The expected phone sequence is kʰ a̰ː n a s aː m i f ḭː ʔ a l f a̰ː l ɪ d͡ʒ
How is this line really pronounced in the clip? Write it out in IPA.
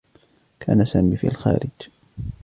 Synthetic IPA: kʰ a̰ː n a s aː m i f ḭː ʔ a l x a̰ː ɾ ɪ d͡ʒ